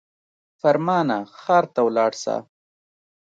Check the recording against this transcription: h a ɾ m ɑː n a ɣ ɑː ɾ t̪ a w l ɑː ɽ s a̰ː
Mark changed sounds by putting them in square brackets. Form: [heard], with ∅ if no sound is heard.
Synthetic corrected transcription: [f] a ɾ m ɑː n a [x] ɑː ɾ t̪ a w l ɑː ɽ s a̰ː